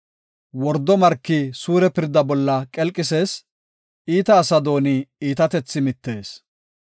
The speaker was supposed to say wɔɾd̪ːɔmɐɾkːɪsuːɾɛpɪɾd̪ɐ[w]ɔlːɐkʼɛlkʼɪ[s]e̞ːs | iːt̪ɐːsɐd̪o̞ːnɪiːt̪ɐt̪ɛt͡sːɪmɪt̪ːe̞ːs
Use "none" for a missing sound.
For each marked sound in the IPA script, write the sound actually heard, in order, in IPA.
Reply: b, s

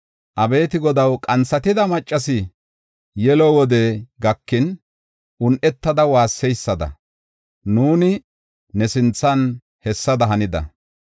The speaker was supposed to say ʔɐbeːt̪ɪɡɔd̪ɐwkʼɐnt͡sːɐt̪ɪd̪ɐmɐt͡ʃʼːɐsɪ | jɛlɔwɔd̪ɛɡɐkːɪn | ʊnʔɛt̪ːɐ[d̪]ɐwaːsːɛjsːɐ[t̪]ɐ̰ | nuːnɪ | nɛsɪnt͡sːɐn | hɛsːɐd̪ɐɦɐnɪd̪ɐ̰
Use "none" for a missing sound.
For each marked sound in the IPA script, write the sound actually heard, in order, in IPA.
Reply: d̪, d̪

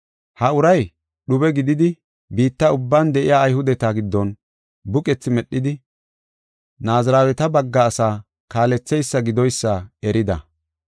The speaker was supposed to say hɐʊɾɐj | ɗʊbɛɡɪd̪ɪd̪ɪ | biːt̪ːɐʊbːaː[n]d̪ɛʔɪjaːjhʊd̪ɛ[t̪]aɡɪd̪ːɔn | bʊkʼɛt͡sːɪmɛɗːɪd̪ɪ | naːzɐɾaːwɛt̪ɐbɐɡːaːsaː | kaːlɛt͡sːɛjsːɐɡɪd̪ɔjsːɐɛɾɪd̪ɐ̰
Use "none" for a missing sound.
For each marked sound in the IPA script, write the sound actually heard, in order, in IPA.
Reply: n, t̪

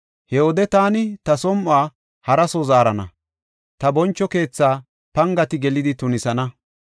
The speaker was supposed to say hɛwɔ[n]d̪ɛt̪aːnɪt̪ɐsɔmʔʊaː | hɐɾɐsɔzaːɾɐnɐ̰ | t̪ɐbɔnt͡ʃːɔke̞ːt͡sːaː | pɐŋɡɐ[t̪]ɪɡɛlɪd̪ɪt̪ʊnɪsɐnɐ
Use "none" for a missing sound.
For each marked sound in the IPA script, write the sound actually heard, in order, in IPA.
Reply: none, t̪

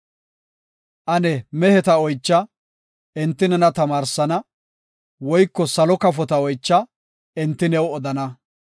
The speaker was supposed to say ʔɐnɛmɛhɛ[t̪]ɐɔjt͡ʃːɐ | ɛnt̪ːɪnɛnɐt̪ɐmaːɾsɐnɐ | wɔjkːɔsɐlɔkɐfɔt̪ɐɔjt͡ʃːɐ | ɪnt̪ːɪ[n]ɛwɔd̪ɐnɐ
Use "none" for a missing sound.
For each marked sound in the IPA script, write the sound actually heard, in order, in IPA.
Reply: t̪, n

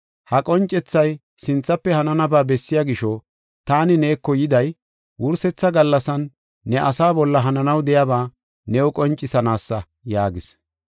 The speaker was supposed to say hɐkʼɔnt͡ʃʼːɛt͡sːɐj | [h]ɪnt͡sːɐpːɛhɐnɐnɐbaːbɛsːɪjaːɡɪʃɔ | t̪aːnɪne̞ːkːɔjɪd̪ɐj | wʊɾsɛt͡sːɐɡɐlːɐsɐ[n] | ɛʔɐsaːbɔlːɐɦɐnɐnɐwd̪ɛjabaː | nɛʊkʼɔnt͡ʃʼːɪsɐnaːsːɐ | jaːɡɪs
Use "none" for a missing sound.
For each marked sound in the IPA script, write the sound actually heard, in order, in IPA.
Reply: s, nː

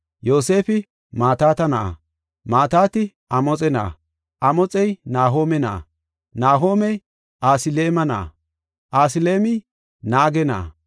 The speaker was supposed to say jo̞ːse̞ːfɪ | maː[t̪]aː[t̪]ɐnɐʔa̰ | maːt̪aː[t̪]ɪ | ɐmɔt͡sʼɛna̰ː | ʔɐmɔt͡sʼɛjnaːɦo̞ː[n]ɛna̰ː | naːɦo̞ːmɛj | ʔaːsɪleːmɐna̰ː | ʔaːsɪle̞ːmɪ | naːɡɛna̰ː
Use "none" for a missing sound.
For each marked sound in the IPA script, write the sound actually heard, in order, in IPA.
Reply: t̪, t̪, t̪, m

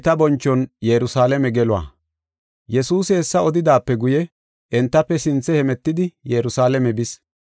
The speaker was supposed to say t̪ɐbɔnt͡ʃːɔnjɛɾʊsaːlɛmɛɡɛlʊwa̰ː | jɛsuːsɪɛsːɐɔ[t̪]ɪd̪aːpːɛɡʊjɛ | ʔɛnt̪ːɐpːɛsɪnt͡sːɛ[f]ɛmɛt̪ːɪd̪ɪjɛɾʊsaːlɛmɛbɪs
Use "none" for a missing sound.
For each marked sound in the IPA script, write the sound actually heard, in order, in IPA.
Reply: d̪, h

